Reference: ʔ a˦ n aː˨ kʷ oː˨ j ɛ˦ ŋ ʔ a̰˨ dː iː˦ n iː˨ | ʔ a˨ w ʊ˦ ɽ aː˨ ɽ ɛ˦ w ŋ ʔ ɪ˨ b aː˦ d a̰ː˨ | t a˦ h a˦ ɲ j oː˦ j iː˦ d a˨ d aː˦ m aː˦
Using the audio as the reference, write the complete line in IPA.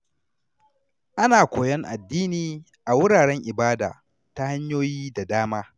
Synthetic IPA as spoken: ʔ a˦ n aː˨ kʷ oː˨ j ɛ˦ ŋ ʔ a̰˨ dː iː˦ n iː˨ | ʔ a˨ w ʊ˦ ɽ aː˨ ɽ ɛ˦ ŋ ʔ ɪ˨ b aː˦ d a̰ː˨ | t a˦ h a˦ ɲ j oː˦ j iː˦ d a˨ d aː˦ m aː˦